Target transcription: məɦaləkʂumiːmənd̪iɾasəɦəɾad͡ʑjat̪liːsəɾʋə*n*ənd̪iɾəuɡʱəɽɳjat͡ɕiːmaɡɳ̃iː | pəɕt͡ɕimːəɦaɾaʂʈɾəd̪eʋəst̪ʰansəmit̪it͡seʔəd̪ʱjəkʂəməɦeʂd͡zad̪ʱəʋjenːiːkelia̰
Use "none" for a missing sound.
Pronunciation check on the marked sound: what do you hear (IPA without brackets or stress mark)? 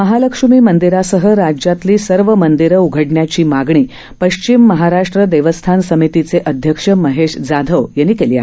m